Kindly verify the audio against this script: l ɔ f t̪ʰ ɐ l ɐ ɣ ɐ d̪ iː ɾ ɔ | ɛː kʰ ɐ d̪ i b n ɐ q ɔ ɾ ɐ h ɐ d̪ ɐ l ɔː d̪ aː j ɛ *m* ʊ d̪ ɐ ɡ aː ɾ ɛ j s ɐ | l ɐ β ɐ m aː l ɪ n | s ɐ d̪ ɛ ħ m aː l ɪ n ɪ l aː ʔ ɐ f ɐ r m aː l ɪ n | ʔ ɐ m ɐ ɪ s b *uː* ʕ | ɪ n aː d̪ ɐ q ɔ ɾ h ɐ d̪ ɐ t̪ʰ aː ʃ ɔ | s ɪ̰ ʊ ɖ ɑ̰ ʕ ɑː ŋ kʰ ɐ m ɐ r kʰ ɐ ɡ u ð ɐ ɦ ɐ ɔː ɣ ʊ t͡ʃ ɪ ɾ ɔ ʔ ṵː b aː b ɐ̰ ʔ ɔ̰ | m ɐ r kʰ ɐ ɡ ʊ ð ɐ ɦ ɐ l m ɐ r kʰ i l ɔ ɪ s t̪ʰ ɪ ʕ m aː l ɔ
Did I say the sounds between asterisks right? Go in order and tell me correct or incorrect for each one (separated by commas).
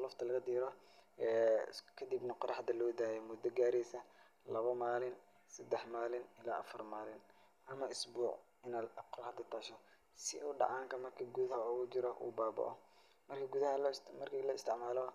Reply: correct, correct